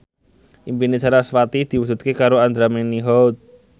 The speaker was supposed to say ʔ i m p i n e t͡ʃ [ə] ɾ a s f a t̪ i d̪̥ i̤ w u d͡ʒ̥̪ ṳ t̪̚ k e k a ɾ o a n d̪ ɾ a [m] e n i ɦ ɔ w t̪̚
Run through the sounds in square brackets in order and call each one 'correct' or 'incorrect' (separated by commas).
incorrect, correct